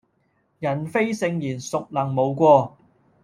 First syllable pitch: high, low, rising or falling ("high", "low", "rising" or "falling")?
low